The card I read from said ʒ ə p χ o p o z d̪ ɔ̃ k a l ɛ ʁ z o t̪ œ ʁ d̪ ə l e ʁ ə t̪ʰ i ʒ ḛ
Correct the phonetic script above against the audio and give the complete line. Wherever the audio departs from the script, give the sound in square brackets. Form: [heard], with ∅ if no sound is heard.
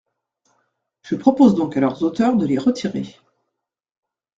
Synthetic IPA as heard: ʒ ə p χ [ɔ] p o z d̪ ɔ̃ k a l [œ] ʁ z o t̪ œ ʁ d̪ ə l e ʁ ə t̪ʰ i [ʁ] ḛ